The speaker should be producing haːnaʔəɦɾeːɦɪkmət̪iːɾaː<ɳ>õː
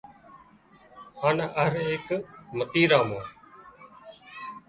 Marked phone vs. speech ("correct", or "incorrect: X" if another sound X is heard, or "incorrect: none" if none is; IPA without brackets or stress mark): incorrect: m